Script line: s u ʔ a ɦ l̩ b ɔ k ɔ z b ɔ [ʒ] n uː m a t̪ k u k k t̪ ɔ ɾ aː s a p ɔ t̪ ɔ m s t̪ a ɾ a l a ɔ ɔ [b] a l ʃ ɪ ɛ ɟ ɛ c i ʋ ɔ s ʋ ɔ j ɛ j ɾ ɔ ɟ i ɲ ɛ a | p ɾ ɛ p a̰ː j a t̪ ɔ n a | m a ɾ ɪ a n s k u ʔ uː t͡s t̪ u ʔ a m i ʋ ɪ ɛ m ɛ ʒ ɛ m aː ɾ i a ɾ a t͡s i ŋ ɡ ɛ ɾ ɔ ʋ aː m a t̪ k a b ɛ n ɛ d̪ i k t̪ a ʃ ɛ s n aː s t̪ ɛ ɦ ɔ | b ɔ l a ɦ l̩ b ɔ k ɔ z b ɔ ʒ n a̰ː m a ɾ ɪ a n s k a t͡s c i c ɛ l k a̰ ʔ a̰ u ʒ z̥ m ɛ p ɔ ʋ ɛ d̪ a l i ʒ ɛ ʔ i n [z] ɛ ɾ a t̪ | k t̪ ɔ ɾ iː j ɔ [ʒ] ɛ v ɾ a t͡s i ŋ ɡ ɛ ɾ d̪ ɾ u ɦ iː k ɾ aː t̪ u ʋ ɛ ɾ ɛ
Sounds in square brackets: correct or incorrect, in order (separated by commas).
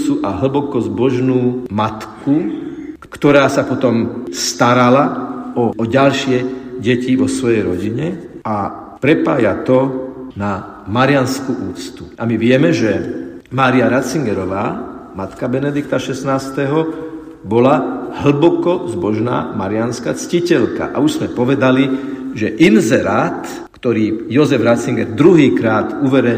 correct, incorrect, correct, incorrect